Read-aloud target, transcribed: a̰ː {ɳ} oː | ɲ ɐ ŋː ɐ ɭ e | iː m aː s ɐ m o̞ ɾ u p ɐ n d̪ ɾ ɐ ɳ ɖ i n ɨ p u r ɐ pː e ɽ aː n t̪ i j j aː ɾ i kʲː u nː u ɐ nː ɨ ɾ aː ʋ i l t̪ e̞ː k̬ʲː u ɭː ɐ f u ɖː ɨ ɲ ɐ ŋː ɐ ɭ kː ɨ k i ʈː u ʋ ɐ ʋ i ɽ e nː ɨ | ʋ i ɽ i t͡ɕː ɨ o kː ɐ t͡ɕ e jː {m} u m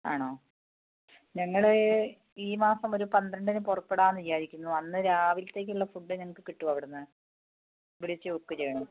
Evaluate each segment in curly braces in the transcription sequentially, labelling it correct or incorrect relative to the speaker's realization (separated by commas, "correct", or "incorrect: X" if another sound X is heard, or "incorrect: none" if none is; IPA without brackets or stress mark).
correct, incorrect: ɳ